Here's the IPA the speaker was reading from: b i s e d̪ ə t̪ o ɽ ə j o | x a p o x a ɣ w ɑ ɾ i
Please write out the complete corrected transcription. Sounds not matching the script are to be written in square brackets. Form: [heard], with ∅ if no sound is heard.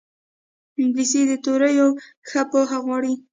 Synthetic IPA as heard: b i s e d̪ ə t̪ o [ɾ] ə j o | x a p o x a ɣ w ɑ [ɽ] i